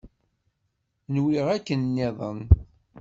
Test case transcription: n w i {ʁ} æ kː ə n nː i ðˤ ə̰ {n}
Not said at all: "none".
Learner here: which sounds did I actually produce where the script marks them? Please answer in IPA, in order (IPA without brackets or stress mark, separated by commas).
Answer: ʁ, n